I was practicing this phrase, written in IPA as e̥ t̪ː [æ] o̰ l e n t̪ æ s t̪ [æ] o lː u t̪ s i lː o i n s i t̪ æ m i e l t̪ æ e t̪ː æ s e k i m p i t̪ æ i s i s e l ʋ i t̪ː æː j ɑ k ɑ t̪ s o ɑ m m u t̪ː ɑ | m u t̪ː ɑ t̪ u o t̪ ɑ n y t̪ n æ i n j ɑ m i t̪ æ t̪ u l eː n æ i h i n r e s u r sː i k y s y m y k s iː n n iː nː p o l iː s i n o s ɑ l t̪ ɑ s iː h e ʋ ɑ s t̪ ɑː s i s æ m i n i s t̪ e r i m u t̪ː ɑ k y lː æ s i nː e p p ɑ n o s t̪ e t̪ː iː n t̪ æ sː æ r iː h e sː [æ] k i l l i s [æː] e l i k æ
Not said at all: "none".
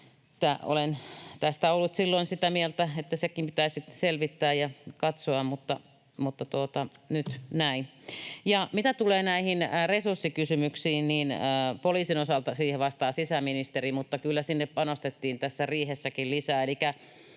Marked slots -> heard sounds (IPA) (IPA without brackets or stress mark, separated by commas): æ, æ, æ, æː